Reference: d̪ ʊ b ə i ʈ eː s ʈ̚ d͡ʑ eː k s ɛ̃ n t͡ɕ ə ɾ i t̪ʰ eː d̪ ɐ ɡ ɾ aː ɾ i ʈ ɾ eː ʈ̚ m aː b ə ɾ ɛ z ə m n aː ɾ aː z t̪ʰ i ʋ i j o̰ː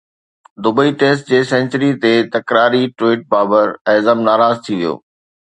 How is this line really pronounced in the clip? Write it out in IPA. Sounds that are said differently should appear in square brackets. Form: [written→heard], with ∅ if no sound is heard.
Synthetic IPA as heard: d̪ ʊ b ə i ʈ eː s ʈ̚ d͡ʑ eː [k→∅] s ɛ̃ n t͡ɕ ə ɾ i [t̪ʰ→t̪] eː [d̪→t̪] ɐ [ɡ→k] ɾ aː ɾ i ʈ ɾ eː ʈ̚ [m→b] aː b ə ɾ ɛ z ə m n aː ɾ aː z t̪ʰ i ʋ i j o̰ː